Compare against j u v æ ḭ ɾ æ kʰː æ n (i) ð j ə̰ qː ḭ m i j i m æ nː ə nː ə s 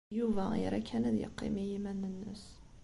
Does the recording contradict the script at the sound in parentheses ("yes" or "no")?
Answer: yes